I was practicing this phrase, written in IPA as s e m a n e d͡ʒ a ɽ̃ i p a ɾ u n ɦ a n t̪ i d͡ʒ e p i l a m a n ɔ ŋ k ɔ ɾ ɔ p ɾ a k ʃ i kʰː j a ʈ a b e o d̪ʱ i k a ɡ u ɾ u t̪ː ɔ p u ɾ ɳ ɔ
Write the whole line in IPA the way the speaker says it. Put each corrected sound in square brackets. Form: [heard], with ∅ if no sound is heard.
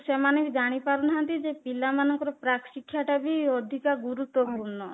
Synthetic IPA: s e m a n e d͡ʒ a ɽ̃ i p a ɾ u n ɦ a n t̪ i d͡ʒ e p i l a m a n ɔ ŋ k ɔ ɾ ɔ p ɾ a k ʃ i kʰː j a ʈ a b [i] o d̪ʱ i k a ɡ u ɾ u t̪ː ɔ p u ɾ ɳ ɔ